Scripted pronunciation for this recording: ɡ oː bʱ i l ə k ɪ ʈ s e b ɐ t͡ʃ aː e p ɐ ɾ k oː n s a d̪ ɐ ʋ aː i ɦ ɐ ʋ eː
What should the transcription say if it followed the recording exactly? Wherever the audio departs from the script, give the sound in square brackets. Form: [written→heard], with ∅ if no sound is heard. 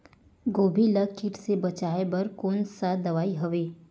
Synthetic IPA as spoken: ɡ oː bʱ i l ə k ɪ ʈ s e b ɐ t͡ʃ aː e [p→b] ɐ ɾ k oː n s a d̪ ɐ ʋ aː i ɦ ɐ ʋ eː